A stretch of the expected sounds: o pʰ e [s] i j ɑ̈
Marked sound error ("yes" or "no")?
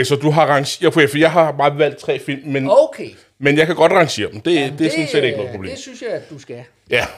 yes